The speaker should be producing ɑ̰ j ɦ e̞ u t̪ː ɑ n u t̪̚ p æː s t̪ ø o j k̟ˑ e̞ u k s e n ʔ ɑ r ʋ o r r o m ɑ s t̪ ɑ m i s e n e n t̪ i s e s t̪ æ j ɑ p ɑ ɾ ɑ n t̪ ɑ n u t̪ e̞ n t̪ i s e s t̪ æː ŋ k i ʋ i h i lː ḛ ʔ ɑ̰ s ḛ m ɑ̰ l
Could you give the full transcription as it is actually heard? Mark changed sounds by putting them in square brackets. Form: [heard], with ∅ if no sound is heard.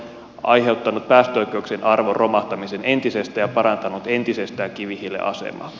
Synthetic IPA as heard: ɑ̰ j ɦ e̞ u t̪ː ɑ n u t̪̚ p æː s t̪ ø o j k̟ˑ e̞ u k s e n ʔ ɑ r ʋ o r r o m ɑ [h] t̪ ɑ m i s e n e n t̪ i s e s t̪ æ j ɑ p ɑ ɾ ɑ n t̪ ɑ n u t̪ e̞ n t̪ i s e s t̪ æː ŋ k i ʋ i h i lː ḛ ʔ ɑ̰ s ḛ m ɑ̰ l

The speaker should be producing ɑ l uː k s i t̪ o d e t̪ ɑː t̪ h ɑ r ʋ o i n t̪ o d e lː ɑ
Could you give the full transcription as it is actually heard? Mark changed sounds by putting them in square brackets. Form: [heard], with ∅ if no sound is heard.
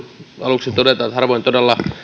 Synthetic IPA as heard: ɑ l [u] k s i t̪ o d e t̪ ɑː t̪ h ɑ r ʋ o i n t̪ o d e lː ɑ

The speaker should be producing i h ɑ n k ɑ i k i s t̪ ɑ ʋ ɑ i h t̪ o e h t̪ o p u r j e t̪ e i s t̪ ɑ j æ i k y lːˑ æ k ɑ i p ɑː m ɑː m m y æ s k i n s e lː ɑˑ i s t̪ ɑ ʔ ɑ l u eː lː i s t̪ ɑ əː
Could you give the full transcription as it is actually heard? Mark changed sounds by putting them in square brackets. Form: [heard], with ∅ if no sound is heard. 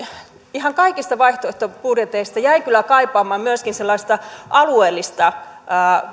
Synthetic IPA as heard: i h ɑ [ŋ] k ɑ i k i s t̪ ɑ ʋ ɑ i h t̪ o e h t̪ o p u r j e t̪ e i s t̪ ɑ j æ i k y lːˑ æ k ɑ i p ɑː m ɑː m m y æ s k i n s e lː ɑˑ i s t̪ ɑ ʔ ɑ l u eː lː i s t̪ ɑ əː

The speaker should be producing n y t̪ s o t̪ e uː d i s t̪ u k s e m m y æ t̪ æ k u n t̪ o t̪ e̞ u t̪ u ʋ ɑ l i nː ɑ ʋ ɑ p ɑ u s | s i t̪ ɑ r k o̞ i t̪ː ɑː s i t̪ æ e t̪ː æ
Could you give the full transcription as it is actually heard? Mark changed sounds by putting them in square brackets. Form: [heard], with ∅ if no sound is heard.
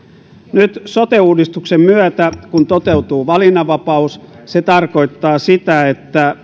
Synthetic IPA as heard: n y t̪ s o t̪ e uː d i s t̪ u k s e m m y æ t̪ æ k u n t̪ o t̪ e̞ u t̪ [uː] ʋ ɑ l i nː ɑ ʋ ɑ p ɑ u s | s [e] t̪ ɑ r k o̞ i t̪ː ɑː s i t̪ æ e t̪ː æ

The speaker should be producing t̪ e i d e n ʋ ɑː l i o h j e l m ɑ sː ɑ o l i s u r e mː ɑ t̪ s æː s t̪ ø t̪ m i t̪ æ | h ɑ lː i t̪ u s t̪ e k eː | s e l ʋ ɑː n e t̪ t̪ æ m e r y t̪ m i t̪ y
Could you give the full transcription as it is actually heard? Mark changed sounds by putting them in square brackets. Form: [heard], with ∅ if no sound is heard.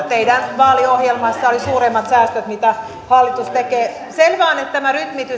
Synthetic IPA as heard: t̪ e i d [æ] n ʋ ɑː l i o h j e l m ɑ sː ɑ o l i s [uː] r e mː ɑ t̪ s æː s t̪ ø t̪ m i t̪ æ | h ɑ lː i t̪ u s t̪ e k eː | s e l ʋ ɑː n e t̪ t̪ æ m [æ] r y t̪ m i t̪ y

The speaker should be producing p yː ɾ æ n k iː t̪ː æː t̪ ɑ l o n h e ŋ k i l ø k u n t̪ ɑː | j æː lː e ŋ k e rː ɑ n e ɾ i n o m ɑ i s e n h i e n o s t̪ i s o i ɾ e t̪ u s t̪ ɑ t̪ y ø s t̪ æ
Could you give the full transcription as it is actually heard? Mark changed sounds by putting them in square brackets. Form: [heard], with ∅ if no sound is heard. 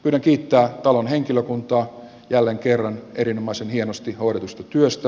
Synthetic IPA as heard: p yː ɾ æ [ŋ] k iː t̪ː æː t̪ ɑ l o n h e ŋ k i l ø k u n t̪ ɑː | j [æ] lː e ŋ k e rː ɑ n e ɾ i n o m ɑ i s e n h i e n o s t̪ i [h] o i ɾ e t̪ u s t̪ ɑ t̪ y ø s t̪ æ

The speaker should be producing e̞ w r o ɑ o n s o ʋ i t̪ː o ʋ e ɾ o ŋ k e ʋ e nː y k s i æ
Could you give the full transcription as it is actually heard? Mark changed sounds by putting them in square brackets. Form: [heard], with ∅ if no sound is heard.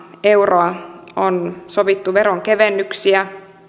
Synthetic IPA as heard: e̞ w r o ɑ o n s o ʋ i t̪ː [u] ʋ e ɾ o ŋ k e ʋ e nː y k s i æ

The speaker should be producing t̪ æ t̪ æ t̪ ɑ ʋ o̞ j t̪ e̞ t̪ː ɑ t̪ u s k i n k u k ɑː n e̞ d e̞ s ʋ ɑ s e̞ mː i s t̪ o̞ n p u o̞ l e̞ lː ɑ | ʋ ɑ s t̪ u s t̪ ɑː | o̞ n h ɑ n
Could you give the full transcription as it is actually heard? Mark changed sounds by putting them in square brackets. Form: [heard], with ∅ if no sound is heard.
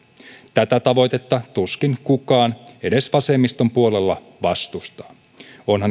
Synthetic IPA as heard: t̪ æ t̪ æ t̪ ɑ ʋ o̞ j t̪ e̞ t̪ː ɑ t̪ u s k i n k u k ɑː n e̞ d e̞ s ʋ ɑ s e̞ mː i s t̪ o̞ [m] p u o̞ l e̞ lː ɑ | ʋ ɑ s t̪ u s t̪ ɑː | o̞ n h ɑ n

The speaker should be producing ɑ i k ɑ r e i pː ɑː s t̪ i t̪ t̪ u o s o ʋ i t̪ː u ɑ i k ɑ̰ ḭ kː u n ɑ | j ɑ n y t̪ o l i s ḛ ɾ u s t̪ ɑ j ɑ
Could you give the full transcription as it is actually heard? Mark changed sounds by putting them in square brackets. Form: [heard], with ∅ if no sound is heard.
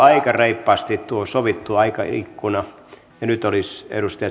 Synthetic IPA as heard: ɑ i k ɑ r e i pː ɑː s t̪ i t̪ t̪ u o s o ʋ i t̪ː u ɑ i k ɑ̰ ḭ kː u n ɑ | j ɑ n y t̪ o l i s ḛ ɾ u s t̪ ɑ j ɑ

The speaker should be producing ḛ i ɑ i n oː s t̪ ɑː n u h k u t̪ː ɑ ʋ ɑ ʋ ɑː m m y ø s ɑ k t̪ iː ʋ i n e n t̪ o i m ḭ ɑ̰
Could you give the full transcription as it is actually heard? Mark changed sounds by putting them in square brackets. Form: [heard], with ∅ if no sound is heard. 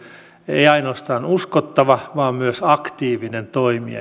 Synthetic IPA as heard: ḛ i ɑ i n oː s t̪ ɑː n u [s] k [o] t̪ː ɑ ʋ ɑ ʋ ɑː m m y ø s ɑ k t̪ iː ʋ i n e n t̪ o i m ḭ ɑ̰

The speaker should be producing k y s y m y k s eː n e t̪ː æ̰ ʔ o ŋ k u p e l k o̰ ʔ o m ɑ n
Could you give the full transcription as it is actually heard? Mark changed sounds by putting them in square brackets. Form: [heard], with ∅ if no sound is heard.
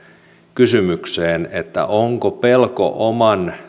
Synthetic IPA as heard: k y s y m y k s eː n e t̪ː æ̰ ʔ o ŋ k [o] p e l k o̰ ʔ o m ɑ n

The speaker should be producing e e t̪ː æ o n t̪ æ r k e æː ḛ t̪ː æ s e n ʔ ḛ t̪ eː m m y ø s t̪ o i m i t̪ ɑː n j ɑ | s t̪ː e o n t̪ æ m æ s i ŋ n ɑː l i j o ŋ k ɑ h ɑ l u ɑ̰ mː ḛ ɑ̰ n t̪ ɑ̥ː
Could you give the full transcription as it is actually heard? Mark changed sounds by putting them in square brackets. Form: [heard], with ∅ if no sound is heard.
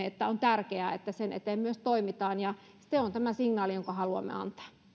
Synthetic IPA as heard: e e t̪ː æ o n t̪ æ r k e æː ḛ t̪ː æ s e n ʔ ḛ t̪ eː m m y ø s t̪ o i m i t̪ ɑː n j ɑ | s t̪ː e o n t̪ æ m æ s i ŋ n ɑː l i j o ŋ k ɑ h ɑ l u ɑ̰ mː ḛ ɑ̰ n t̪ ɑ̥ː

